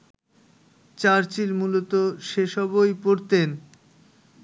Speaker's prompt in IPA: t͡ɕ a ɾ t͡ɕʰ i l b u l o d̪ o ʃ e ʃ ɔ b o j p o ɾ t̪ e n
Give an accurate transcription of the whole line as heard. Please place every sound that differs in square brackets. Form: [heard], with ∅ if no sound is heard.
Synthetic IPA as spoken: t͡ɕ a ɾ [t͡ɕ] i l [m] u l o [t̪] o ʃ e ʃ ɔ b o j p o ɾ t̪ e n